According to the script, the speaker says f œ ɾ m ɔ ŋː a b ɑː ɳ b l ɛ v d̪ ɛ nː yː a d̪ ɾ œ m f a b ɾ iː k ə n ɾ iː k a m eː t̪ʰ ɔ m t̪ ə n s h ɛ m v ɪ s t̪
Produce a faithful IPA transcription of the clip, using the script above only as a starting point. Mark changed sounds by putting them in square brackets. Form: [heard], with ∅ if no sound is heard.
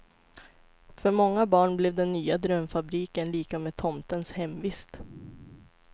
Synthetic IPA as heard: f œ ɾ m ɔ ŋː a b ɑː ɳ b l ɛ v d̪ ɛ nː yː a d̪ ɾ œ m f a b ɾ iː k ə n [l] iː k a m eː t̪ʰ ɔ m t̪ ə n s h ɛ m v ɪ s t̪